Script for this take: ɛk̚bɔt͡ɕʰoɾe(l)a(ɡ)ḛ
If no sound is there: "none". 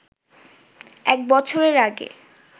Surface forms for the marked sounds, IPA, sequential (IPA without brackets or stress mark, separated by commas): ɾ, ɡ